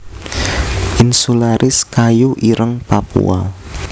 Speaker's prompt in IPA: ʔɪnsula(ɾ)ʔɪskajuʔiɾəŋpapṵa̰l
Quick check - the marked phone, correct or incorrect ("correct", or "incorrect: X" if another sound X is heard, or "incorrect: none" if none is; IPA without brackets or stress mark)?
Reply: correct